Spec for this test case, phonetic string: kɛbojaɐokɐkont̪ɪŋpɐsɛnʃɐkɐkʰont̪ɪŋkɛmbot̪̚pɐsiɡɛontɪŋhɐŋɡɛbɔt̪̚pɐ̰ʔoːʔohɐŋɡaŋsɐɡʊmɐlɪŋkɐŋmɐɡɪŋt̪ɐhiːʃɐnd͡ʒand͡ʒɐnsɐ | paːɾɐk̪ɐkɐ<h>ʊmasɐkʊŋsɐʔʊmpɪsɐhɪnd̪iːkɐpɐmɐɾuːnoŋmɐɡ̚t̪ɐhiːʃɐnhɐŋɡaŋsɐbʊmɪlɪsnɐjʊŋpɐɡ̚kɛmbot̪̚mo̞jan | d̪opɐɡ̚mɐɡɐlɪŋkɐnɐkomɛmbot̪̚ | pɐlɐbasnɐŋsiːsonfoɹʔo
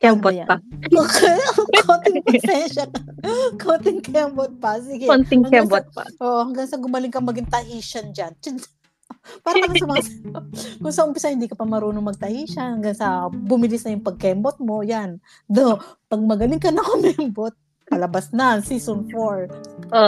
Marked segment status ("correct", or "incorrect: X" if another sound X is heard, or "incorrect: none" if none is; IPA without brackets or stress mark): incorrect: s